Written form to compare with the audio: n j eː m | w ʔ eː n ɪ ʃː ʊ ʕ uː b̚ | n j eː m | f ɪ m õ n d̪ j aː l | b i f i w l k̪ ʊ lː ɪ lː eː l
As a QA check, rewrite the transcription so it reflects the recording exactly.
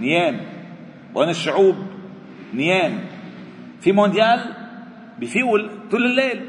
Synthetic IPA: n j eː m | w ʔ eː n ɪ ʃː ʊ ʕ uː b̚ | n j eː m | f i m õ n d̪ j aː l | b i f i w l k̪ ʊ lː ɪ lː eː l